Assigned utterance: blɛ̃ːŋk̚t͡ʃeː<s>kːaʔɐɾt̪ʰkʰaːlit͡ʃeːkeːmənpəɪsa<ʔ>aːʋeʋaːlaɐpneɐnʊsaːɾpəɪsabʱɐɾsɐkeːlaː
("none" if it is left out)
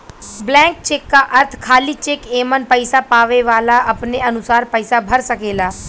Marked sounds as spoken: none, p

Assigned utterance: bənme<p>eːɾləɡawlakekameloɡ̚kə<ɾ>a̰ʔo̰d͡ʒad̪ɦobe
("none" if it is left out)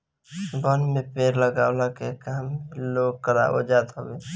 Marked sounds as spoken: p, ɾ

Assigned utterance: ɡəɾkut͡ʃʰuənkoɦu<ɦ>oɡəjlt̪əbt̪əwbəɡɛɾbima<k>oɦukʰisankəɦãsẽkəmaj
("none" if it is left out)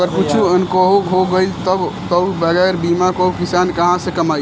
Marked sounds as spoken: ɦ, k

